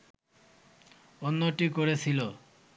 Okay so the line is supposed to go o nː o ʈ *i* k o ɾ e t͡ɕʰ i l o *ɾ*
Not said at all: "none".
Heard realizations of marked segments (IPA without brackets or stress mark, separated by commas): i, none